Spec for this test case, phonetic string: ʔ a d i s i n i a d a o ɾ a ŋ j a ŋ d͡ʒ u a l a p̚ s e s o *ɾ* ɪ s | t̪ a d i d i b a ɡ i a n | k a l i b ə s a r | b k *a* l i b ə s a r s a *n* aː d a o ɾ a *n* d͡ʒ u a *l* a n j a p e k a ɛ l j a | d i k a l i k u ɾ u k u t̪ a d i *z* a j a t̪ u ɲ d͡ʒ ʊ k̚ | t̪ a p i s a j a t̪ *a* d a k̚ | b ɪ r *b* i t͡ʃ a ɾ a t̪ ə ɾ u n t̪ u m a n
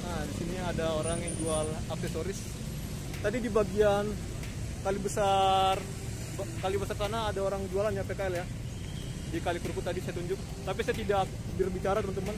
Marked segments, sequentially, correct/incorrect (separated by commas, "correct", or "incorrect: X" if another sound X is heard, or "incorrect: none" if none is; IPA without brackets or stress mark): correct, correct, correct, incorrect: ŋ, correct, incorrect: s, incorrect: i, correct